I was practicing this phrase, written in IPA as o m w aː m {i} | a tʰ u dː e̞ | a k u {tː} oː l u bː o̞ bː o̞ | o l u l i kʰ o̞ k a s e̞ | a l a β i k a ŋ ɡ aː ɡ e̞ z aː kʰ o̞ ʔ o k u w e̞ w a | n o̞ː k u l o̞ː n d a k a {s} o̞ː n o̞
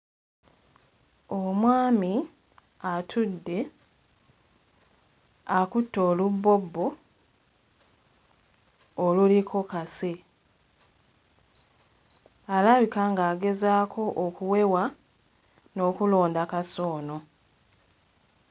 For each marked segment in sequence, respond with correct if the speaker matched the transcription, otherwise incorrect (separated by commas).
correct, correct, correct